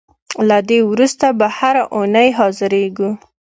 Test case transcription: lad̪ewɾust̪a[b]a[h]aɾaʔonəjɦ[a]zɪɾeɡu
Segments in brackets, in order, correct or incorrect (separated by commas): correct, correct, incorrect